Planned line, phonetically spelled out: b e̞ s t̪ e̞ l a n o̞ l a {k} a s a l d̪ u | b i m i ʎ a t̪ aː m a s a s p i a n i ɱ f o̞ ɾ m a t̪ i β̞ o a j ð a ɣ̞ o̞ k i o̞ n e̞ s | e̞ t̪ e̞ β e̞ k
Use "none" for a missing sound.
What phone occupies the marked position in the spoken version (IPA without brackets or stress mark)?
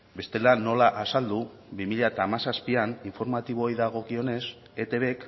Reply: ʔ